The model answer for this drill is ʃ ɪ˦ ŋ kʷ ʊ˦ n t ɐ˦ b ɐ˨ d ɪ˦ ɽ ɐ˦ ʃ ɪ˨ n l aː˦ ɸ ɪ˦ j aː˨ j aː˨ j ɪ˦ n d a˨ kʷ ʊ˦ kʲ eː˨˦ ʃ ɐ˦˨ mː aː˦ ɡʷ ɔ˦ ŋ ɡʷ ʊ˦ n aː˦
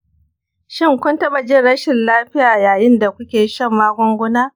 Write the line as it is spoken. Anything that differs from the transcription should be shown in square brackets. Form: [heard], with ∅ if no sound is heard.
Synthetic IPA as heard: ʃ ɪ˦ ŋ kʷ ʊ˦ n t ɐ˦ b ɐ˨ [d͡ʒ] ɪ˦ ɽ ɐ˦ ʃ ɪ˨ n l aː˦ ɸ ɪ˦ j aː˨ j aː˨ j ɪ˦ n d a˨ kʷ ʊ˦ kʲ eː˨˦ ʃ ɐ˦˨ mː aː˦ ɡʷ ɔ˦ ŋ ɡʷ ʊ˦ n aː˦